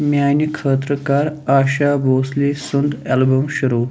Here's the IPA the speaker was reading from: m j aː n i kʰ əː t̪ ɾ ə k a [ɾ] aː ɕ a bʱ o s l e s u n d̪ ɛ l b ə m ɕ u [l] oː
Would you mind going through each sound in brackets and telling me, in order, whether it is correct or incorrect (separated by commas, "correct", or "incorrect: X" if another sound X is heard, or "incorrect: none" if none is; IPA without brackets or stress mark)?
correct, incorrect: ɾ